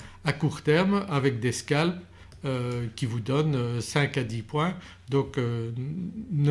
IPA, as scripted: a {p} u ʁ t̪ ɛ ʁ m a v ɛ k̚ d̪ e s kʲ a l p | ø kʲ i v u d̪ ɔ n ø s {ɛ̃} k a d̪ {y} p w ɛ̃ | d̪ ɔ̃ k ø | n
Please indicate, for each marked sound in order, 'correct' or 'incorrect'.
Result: incorrect, correct, incorrect

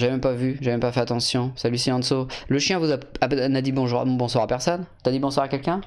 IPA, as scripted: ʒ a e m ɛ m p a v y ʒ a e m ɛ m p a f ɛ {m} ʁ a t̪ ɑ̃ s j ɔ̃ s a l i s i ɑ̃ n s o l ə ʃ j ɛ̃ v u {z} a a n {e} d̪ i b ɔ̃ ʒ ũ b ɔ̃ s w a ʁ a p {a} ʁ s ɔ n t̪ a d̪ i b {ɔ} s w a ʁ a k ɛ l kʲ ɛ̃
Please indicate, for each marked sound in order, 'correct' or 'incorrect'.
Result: incorrect, correct, incorrect, incorrect, incorrect

